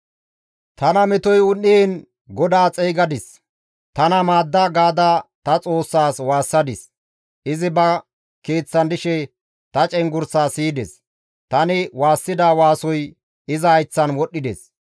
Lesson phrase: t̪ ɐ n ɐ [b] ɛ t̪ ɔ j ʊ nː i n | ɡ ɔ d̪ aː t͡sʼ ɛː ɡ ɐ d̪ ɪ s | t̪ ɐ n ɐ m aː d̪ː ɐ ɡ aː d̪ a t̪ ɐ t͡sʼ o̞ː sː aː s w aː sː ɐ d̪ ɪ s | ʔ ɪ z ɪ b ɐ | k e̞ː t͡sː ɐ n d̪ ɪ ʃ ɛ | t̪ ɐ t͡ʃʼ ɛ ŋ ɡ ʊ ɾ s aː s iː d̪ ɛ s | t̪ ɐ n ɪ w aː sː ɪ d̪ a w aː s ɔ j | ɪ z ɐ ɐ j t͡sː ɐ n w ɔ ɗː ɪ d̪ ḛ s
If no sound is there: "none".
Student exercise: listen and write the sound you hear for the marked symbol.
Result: m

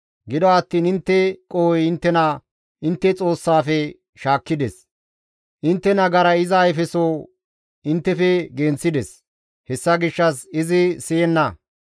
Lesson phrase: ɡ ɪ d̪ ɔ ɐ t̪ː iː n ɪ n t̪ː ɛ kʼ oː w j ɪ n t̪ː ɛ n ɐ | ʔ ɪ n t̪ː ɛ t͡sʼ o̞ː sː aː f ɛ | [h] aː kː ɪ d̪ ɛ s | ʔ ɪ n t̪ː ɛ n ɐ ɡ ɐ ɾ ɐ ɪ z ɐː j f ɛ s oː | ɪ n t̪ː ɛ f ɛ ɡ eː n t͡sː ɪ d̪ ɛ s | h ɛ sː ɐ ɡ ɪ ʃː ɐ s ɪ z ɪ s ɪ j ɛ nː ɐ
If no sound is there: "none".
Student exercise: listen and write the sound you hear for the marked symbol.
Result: ʃ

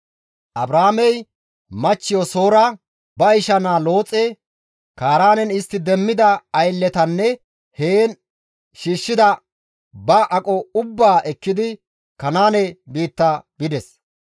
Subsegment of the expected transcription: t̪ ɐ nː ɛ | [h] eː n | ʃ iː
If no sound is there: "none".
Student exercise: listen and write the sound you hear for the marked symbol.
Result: h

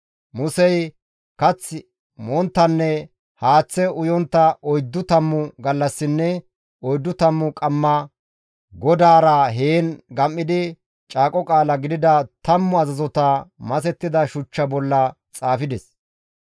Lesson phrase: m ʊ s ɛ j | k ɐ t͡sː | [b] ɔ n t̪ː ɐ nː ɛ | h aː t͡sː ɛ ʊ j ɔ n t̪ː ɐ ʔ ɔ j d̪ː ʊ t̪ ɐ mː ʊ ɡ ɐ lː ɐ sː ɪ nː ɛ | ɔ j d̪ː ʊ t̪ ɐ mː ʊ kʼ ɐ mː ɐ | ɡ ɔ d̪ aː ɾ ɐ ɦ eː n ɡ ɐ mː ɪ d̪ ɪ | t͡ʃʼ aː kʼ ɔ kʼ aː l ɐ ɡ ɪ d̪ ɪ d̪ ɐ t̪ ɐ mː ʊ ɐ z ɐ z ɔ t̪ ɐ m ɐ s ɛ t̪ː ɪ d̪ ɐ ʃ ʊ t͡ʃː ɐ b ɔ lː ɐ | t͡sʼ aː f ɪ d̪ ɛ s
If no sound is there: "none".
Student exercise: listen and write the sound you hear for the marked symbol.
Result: m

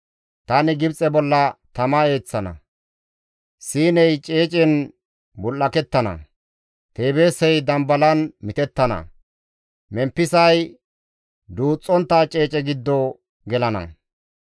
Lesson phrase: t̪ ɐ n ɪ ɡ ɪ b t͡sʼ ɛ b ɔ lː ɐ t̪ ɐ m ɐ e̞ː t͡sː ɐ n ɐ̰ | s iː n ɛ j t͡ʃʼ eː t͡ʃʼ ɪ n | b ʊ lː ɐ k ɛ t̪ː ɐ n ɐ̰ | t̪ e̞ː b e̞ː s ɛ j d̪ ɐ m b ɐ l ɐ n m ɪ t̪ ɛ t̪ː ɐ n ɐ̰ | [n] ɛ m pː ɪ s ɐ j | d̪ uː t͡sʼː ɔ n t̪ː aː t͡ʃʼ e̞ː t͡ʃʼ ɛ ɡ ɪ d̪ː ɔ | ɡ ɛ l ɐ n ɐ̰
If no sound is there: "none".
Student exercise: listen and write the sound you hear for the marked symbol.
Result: m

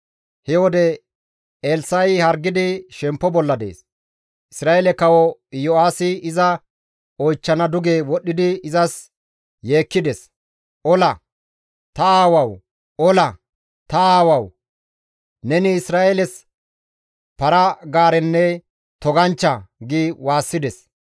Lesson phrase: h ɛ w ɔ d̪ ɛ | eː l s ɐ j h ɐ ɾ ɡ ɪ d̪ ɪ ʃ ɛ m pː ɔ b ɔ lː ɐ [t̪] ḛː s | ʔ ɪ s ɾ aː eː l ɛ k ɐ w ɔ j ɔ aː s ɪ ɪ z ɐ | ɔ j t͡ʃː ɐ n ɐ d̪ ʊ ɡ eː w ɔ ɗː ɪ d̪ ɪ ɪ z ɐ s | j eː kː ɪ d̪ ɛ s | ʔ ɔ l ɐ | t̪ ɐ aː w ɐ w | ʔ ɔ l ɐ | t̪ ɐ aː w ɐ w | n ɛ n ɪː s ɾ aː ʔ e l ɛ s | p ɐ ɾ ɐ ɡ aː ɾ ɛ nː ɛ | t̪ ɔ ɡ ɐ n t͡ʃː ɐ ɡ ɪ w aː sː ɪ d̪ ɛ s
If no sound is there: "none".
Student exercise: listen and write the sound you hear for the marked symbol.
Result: d̪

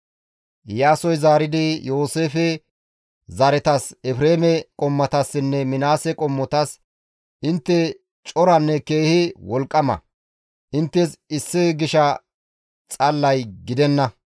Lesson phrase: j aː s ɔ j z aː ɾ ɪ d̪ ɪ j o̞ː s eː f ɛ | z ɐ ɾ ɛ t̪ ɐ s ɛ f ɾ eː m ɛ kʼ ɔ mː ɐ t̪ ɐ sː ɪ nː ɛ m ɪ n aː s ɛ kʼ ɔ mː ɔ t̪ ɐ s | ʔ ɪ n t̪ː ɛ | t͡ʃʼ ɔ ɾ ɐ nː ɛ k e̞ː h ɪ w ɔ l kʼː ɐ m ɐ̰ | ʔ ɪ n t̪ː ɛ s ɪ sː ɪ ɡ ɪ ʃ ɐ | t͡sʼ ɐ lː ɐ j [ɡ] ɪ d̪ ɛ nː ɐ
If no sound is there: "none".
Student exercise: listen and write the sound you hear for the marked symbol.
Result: ɡ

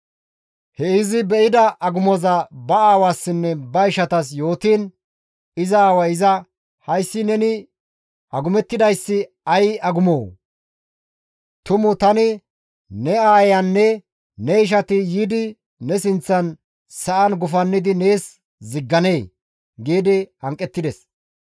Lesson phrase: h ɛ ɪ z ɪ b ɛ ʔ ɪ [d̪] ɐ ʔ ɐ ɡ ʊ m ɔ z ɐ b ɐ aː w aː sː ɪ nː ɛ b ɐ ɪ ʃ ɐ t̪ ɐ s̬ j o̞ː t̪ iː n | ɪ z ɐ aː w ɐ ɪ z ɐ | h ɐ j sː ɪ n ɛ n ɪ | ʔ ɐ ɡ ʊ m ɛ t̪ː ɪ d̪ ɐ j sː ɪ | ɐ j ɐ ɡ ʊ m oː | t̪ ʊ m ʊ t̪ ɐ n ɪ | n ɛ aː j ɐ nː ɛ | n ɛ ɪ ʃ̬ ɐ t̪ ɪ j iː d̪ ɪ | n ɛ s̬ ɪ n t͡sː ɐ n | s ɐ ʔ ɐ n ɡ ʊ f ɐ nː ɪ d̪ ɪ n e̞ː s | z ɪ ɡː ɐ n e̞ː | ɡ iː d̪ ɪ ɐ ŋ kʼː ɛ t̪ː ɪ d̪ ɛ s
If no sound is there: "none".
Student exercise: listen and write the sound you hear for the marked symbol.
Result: d̪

